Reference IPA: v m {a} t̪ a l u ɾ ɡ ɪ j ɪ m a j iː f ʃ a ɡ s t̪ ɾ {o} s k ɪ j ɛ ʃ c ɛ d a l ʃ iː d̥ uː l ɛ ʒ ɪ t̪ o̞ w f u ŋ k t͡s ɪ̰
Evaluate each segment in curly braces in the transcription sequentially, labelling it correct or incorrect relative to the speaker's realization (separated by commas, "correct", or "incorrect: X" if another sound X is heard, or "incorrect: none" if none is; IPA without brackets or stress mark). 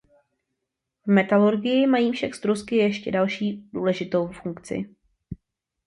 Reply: incorrect: ɛ, incorrect: u